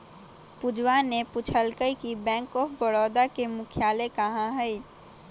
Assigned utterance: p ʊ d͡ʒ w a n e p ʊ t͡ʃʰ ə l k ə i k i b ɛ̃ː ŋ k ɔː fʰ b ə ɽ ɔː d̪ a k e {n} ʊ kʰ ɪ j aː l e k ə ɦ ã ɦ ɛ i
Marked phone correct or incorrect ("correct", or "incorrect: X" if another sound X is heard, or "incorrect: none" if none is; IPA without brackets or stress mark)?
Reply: incorrect: m